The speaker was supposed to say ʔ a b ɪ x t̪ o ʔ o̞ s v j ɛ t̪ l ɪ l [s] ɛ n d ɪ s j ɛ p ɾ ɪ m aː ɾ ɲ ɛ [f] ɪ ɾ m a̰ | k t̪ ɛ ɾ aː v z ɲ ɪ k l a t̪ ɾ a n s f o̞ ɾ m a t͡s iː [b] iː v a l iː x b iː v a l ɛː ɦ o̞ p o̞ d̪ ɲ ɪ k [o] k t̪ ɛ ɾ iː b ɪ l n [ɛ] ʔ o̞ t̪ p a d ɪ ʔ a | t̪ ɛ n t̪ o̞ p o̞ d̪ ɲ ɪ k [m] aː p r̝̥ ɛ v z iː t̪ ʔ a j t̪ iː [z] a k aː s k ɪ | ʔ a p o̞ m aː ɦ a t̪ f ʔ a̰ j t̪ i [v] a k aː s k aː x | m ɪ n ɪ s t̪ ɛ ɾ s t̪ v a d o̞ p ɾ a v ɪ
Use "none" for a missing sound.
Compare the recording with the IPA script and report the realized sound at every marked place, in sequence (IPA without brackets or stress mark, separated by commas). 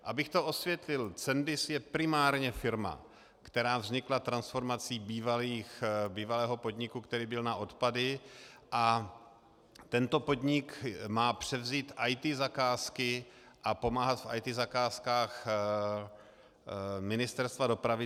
t͡s, f, b, u, a, m, z, z